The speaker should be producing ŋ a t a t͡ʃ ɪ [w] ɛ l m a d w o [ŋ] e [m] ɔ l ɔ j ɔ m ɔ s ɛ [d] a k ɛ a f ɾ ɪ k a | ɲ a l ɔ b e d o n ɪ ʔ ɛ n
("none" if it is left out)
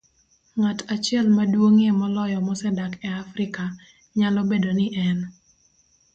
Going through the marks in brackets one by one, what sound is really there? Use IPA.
none, ŋ, m, d

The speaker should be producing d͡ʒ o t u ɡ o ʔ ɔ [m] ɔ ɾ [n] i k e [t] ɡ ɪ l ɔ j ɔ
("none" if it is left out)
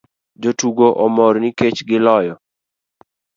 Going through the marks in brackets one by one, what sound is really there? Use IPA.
m, n, t͡ʃ

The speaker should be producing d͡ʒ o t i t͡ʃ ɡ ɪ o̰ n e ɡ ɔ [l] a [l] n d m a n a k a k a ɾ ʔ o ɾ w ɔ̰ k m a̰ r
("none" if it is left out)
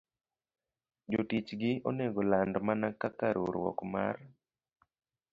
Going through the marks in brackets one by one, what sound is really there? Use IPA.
l, none

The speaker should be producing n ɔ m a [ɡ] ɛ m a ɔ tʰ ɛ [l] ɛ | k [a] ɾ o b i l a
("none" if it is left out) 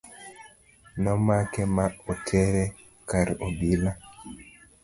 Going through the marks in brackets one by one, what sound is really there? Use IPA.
k, ɾ, a

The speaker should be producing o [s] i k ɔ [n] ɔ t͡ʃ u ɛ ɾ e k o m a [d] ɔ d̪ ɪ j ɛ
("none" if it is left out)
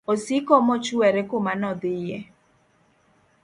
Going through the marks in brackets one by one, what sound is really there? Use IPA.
s, m, n

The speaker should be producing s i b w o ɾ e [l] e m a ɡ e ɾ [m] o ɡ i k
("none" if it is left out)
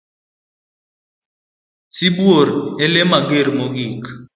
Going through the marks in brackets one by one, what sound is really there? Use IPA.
l, m

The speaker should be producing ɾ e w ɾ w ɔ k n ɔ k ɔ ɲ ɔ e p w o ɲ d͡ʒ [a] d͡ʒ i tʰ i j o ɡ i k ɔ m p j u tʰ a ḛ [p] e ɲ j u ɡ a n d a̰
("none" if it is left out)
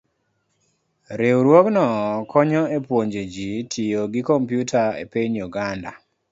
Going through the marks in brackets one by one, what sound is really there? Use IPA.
e, p

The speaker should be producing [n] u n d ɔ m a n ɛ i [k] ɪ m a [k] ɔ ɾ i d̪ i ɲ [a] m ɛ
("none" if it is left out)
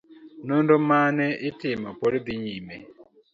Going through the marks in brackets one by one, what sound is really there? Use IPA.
n, t, p, i

